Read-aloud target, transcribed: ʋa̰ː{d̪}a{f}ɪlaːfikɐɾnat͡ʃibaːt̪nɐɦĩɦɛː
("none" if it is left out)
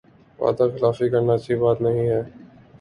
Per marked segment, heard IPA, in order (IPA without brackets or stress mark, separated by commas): d̪, x